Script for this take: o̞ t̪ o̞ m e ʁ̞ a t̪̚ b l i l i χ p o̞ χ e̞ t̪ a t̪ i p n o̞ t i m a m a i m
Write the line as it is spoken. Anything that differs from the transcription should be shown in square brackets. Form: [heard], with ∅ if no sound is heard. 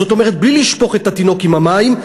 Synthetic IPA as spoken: o̞ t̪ o̞ m e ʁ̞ [e] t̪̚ b l i l i [ʃ] p o̞ χ e̞ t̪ a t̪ i [∅] n o̞ [k] i m a m a i m